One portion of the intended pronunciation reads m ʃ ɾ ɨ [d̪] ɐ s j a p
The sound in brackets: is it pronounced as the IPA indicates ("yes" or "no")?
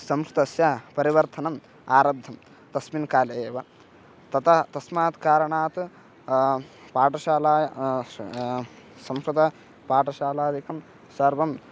no